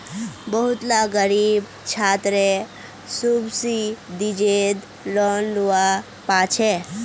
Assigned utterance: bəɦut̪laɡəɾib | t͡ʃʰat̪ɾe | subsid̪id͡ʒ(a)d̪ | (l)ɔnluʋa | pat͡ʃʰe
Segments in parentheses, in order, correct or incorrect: incorrect, correct

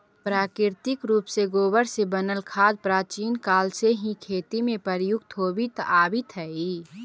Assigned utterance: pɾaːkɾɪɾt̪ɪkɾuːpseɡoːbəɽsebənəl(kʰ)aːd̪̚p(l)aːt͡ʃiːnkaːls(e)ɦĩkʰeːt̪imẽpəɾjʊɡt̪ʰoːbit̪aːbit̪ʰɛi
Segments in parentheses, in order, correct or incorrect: correct, incorrect, correct

